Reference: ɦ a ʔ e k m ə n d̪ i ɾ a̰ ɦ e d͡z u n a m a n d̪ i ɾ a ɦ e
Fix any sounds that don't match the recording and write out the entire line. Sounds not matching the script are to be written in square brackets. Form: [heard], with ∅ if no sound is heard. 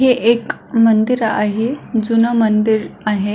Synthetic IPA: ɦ [e] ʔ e k m ə n d̪ i ɾ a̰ ɦ e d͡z u n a m [ə] n d̪ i ɾ a ɦ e